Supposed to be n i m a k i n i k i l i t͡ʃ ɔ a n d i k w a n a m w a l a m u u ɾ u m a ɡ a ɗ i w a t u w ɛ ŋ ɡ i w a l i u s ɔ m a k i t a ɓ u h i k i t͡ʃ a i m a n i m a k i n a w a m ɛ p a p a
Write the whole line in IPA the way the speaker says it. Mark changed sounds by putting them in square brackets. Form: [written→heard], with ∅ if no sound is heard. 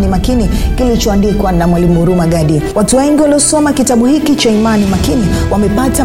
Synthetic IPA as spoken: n i m a k i n i k i l i t͡ʃ ɔ a n d i k w a n a m w a l [a→i] m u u ɾ u m a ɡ a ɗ i w a t u w ɛ ŋ ɡ i w a l i [u→ɔ] s ɔ m a k i t a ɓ u h i k i t͡ʃ a i m a n i m a k i n [a→i] w a m ɛ p a [p→t] a